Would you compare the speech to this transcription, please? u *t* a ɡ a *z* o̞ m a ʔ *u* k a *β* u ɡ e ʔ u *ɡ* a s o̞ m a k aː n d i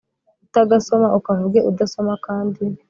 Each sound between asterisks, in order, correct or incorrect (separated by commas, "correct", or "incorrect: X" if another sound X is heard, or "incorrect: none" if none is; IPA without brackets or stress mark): correct, incorrect: s, correct, incorrect: v, incorrect: d